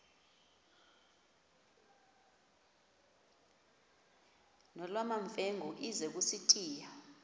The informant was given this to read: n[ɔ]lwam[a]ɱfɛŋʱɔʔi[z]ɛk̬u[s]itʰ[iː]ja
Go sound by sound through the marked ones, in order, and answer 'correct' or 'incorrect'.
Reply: correct, correct, correct, correct, correct

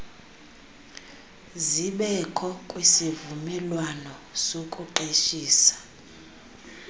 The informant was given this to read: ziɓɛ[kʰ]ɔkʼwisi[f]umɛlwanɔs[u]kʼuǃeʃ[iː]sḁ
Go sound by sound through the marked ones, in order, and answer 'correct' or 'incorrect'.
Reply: correct, incorrect: v, incorrect: o, correct

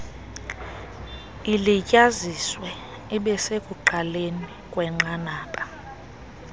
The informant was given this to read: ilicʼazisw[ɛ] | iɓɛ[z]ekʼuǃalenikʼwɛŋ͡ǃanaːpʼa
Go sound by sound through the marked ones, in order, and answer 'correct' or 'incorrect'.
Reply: correct, incorrect: s

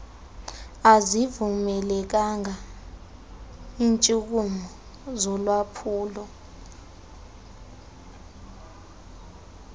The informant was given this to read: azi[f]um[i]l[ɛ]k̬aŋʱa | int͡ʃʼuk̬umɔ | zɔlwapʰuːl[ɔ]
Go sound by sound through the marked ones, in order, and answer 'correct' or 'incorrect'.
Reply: incorrect: v, incorrect: ɛ, correct, correct

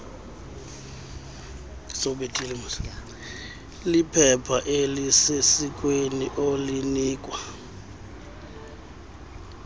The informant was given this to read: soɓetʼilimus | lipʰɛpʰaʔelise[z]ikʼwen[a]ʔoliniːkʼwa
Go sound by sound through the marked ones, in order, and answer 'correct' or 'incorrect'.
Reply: incorrect: s, incorrect: i

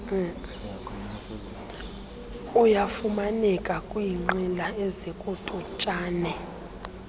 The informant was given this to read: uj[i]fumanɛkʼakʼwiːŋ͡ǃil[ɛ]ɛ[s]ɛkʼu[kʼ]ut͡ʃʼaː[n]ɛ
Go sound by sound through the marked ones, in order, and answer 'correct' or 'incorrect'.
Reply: incorrect: a, incorrect: a, incorrect: z, incorrect: tʼ, correct

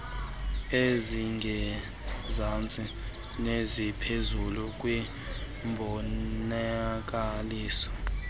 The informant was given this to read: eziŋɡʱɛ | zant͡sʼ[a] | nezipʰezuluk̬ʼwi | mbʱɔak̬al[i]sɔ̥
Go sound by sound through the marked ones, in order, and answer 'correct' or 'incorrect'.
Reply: incorrect: i, incorrect: iː

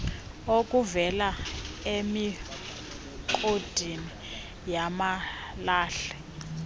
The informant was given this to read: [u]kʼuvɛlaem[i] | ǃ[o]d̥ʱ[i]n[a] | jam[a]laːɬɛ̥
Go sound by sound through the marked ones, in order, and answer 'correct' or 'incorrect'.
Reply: incorrect: o, correct, correct, correct, incorrect: i, correct

